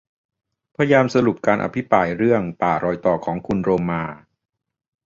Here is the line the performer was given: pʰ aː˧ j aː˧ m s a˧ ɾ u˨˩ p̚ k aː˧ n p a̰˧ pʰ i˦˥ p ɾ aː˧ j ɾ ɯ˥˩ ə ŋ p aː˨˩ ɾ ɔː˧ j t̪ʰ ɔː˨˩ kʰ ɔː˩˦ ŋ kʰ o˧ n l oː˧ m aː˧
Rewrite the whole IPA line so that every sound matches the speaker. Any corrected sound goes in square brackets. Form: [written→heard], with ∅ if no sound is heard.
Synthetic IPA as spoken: pʰ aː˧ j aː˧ m s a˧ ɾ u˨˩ p̚ k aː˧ n [p→ʔ] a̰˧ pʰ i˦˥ p ɾ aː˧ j ɾ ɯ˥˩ ə ŋ p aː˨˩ ɾ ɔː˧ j [t̪ʰ→t̪] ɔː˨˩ kʰ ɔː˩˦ ŋ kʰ [o˧→u˧] n [l→ɾ] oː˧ m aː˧